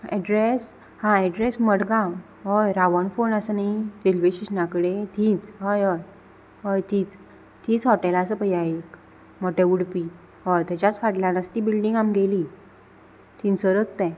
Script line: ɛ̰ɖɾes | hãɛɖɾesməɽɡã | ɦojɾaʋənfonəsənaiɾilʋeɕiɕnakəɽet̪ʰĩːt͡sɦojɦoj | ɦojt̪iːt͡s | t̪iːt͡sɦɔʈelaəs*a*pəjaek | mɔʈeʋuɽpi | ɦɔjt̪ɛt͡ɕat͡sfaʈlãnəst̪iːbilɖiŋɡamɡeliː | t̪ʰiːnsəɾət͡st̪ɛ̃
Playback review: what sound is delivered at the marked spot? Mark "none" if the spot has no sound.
ə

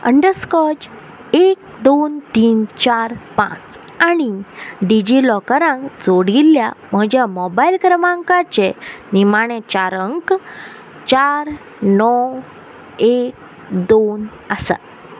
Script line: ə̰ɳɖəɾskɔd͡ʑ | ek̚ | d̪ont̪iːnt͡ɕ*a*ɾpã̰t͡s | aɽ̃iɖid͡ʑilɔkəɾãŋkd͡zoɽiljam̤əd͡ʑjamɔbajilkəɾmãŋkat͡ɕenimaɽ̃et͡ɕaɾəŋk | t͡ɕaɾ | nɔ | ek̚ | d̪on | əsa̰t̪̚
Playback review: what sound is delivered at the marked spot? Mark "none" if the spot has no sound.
a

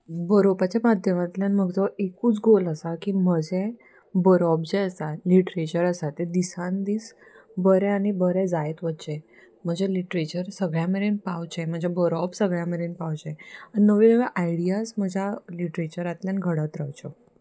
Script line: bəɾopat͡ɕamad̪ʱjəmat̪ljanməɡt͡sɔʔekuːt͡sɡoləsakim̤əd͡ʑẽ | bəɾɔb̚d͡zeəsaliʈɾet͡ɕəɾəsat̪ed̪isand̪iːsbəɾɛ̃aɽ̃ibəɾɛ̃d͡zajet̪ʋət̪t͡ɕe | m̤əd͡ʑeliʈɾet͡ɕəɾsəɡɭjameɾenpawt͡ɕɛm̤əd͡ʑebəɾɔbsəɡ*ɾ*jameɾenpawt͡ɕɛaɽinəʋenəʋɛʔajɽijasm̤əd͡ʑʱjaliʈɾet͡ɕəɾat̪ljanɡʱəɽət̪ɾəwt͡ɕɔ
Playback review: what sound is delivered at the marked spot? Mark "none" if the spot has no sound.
ɭ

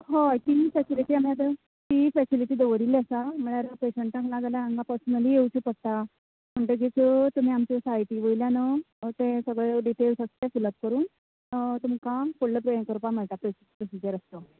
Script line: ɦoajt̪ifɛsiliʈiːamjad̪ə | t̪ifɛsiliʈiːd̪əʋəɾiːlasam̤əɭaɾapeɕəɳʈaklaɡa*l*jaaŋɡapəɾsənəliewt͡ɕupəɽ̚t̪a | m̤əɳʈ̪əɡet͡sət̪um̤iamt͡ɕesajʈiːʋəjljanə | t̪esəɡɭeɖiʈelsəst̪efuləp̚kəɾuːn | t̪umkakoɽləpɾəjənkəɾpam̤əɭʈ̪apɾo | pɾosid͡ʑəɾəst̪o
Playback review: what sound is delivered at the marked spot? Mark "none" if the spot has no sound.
l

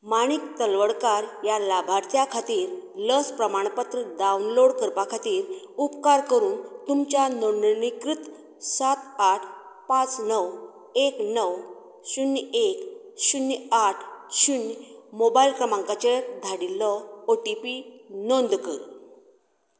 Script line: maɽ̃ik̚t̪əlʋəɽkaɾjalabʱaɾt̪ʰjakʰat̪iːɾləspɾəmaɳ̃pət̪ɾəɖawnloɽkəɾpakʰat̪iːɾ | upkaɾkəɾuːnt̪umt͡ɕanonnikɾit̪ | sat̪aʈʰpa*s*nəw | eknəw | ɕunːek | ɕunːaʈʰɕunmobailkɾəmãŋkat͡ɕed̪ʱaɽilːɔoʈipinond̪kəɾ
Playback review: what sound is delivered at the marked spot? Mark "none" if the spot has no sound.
t͡s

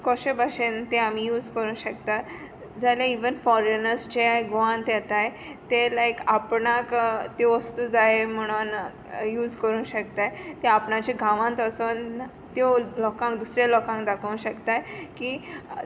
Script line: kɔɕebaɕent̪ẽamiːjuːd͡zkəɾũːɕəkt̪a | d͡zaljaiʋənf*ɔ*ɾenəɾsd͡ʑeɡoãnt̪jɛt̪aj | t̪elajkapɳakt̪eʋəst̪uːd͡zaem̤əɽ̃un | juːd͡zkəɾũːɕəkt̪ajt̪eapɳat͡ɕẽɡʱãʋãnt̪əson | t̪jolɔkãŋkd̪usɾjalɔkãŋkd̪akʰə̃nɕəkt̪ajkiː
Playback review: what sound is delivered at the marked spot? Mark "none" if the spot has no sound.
ɔ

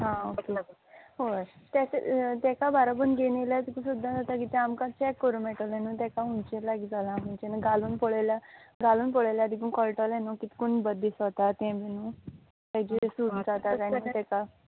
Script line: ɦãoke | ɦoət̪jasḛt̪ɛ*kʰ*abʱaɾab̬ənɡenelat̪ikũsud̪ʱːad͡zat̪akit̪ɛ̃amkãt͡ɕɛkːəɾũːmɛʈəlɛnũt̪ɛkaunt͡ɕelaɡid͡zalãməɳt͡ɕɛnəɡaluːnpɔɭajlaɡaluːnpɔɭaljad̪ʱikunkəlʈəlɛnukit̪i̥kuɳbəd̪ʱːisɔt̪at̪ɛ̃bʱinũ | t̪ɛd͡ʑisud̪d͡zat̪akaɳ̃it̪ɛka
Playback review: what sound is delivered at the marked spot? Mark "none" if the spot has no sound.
k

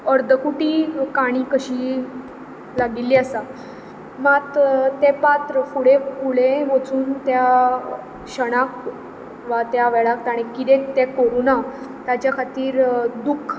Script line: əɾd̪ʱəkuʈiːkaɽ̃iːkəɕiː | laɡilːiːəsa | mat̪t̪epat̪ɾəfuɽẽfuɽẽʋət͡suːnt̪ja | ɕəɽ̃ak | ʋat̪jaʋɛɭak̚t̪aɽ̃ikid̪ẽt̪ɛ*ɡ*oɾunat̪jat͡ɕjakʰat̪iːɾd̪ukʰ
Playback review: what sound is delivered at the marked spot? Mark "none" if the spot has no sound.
k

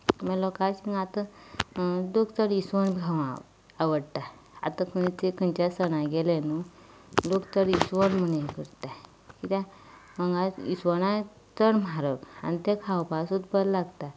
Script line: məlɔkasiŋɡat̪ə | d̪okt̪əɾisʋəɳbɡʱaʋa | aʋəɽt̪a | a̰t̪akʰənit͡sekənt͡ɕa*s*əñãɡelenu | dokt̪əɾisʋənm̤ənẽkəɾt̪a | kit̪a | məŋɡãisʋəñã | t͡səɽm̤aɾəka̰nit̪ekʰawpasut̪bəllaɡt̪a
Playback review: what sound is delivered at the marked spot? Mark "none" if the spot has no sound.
s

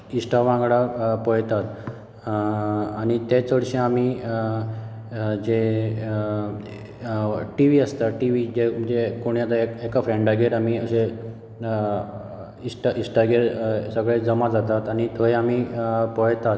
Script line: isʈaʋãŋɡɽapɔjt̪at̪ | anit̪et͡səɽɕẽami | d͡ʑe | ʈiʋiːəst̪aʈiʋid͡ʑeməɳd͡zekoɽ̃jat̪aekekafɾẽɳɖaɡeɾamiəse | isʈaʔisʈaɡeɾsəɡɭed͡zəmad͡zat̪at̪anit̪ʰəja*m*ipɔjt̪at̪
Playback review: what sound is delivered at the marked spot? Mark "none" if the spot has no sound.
m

